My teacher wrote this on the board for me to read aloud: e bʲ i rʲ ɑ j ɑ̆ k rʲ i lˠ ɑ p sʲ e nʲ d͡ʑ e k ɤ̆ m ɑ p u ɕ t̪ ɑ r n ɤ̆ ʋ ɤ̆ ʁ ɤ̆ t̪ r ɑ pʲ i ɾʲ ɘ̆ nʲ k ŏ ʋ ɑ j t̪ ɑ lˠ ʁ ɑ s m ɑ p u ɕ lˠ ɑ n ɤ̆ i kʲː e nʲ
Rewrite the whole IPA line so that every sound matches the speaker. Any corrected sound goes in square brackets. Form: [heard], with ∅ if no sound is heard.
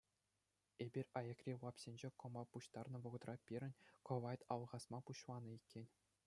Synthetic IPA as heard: e bʲ i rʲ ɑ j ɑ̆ k rʲ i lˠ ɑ p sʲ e nʲ d͡ʑ e k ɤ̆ m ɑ p u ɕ t̪ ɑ r n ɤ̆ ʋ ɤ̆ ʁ ɤ̆ t̪ r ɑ pʲ i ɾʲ ɘ̆ nʲ k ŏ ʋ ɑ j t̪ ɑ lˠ ʁ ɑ s m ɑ p u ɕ lˠ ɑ n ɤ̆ i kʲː e nʲ